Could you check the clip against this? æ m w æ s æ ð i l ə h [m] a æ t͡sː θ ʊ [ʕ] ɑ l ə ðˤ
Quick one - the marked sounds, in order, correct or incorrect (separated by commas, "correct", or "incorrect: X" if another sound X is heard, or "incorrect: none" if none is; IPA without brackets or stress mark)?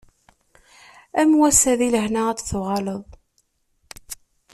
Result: incorrect: n, incorrect: ʁ